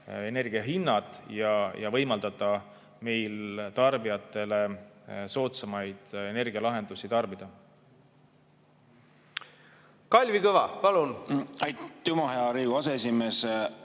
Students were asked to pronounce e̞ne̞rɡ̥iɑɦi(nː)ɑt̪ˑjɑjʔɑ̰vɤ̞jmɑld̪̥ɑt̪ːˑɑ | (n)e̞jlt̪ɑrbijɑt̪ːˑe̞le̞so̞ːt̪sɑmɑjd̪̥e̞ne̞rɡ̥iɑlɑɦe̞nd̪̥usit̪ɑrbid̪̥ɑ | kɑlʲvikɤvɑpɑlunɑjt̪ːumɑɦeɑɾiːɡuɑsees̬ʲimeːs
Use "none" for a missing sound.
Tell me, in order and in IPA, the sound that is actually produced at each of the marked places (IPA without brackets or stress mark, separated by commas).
nː, m